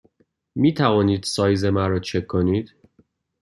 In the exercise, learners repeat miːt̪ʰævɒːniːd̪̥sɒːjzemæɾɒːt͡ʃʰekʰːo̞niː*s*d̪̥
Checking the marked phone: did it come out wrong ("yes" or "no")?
yes